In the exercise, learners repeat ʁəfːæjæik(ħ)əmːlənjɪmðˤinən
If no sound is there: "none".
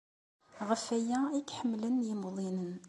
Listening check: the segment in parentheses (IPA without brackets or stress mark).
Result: ħ